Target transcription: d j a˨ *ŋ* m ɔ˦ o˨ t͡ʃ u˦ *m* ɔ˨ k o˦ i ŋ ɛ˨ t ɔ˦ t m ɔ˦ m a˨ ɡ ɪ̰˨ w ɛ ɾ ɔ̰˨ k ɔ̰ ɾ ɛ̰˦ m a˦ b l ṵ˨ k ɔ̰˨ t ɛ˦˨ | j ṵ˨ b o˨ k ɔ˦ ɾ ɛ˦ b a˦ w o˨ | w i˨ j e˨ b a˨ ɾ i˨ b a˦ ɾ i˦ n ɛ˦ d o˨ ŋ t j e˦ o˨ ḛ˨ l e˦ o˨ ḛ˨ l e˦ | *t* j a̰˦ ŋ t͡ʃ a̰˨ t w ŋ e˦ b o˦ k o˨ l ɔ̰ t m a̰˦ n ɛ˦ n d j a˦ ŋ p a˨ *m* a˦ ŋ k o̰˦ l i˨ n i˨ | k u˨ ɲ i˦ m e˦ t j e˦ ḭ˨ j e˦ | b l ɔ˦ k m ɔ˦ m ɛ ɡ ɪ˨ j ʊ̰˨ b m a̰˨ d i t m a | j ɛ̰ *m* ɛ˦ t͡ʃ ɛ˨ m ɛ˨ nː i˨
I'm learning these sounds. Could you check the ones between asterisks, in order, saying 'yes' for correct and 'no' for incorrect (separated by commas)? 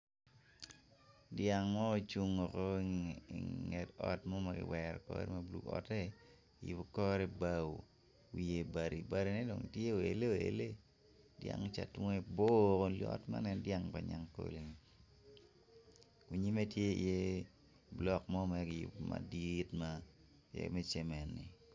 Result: yes, no, no, no, yes